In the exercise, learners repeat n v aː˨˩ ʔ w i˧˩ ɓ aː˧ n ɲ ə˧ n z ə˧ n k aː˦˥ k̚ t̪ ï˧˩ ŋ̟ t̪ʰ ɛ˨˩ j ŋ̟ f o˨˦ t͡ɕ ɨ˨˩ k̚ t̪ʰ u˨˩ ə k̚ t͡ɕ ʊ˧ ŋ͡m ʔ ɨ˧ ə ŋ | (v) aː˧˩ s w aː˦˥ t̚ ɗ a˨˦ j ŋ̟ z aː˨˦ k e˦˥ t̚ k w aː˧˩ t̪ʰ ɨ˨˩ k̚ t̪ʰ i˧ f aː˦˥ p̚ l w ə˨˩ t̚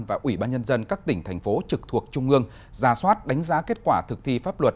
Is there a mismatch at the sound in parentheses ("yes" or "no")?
yes